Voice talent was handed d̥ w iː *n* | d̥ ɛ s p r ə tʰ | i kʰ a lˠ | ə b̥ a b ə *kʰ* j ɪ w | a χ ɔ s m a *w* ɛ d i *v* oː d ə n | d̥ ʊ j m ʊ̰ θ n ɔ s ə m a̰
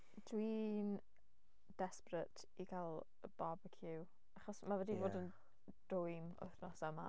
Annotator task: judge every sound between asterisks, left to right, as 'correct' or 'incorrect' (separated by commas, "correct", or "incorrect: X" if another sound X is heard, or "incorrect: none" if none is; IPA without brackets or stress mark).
correct, correct, incorrect: v, correct